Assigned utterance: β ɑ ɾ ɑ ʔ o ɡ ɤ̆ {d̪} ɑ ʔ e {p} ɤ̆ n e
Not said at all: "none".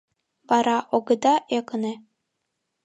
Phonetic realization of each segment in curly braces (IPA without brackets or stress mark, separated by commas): d̪, k